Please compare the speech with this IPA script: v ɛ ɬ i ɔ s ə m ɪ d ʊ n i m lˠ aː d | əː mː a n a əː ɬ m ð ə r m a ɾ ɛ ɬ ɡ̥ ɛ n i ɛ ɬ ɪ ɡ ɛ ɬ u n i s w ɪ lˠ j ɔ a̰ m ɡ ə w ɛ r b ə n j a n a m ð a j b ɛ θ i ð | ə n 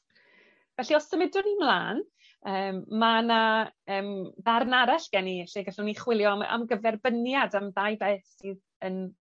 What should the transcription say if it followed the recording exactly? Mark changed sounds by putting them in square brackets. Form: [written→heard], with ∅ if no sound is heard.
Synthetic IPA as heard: v ɛ ɬ i ɔ s ə m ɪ d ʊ n i m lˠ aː [d→n] | əː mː a n a əː [ɬ→∅] m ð [ə→a] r [m→n] a ɾ [ɛ→a] ɬ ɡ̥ ɛ n i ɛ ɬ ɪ ɡ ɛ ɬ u n i [s→χ] w ɪ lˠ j ɔ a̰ m ɡ ə [w→v] ɛ r b ə n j a [n→d] a m ð a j b ɛ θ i ð | ə n